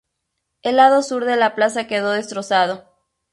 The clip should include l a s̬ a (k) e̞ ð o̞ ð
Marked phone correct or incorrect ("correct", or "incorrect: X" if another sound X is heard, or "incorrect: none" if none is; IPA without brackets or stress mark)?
correct